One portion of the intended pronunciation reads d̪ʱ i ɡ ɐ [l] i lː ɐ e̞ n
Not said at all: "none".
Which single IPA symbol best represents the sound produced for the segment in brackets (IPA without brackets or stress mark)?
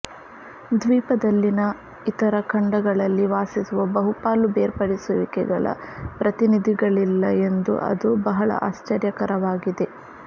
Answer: ɭ